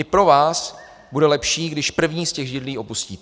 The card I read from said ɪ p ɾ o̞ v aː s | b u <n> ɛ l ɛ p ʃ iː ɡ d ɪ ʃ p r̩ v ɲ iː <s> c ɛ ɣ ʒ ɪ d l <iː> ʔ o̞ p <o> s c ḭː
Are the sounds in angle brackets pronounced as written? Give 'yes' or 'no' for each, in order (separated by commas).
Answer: no, yes, yes, no